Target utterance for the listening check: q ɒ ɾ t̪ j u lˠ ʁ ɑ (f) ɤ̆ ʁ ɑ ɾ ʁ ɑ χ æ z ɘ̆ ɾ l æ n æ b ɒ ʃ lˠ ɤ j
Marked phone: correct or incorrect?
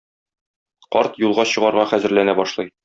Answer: incorrect